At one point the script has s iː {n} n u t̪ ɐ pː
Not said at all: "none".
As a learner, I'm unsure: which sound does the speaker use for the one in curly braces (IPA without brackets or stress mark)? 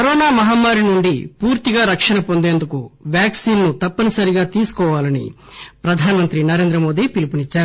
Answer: n